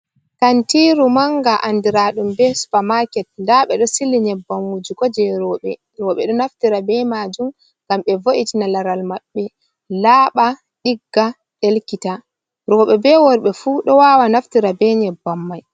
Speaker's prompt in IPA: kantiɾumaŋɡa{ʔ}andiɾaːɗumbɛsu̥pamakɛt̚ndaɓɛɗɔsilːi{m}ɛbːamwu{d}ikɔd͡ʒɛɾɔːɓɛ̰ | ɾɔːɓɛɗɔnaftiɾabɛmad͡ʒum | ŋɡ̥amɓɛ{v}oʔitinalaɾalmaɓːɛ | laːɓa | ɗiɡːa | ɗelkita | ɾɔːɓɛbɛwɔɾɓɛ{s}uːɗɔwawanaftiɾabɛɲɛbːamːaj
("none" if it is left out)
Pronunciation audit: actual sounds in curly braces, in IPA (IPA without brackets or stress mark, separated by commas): ʔ, ɲ, d͡ʒ, v, f